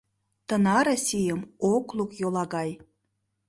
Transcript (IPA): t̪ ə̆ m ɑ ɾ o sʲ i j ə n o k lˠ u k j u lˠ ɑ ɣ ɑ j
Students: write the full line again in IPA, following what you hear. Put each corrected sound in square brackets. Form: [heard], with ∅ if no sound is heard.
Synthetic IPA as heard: t̪ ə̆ [n] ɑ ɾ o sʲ i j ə [m] o k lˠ u k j [o] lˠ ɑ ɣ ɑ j